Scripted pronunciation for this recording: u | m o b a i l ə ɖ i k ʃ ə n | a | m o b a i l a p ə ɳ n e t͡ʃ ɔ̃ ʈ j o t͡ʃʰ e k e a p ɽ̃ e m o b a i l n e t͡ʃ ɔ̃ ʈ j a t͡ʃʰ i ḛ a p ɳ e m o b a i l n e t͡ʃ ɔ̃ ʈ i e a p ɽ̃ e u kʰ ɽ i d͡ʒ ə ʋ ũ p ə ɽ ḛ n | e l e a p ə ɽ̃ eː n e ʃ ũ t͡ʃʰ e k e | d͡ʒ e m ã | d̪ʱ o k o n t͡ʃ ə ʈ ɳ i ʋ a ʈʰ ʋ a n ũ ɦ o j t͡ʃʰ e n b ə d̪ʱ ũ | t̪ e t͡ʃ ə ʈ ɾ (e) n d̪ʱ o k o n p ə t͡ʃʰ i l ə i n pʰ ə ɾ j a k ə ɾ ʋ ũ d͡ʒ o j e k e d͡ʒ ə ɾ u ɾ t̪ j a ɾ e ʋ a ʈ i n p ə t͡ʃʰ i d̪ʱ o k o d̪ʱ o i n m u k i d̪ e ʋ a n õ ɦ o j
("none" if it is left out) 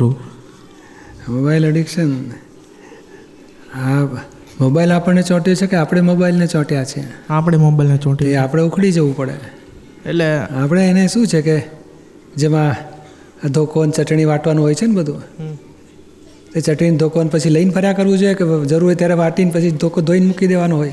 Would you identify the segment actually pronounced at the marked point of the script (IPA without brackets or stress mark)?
i